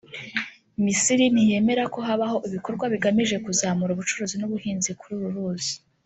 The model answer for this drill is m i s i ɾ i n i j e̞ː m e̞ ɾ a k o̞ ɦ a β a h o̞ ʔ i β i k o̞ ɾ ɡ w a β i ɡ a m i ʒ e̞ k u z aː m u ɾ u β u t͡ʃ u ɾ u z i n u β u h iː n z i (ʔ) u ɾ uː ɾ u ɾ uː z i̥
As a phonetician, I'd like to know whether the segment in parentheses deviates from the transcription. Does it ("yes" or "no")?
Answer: yes